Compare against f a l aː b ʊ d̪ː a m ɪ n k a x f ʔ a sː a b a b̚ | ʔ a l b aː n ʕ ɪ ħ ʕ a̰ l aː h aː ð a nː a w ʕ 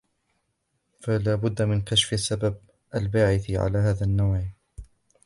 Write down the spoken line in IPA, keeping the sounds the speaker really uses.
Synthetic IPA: f a l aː b ʊ d̪ː a m ɪ n k a ʃ f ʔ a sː a b a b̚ | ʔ a l b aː ʕ ɪ θ ʕ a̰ l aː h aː ð a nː a w ʕ